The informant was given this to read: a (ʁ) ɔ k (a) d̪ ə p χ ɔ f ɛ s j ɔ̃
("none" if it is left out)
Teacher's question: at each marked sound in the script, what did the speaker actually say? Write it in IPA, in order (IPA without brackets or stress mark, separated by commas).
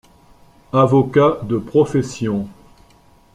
v, a